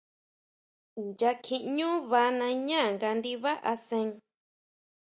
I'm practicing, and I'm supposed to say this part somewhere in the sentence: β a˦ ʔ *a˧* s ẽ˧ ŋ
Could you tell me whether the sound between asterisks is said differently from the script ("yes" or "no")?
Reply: no